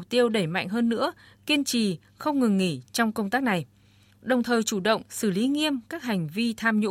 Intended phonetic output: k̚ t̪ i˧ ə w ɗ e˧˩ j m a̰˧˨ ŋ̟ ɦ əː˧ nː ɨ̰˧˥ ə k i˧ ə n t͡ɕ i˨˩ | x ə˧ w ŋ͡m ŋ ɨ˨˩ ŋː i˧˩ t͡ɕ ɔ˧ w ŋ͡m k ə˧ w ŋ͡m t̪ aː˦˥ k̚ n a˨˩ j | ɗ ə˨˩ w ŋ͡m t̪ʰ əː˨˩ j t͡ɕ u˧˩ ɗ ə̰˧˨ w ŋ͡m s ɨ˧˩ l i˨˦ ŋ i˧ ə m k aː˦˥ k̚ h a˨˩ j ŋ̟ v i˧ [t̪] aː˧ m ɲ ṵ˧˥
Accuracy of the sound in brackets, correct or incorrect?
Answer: incorrect